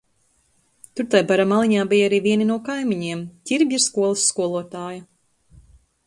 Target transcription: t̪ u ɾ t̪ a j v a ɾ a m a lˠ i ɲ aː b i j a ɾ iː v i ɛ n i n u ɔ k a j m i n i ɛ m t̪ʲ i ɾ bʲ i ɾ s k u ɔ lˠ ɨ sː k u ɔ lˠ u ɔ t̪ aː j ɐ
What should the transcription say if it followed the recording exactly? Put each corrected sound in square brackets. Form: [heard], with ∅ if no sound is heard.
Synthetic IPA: t̪ u ɾ t̪ a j [b] a ɾ a m a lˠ i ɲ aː b i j a ɾ iː v i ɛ n i n u ɔ k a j m i [ɲ] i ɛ m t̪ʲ i ɾ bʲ i ɾ s k u ɔ lˠ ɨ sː k u ɔ lˠ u ɔ t̪ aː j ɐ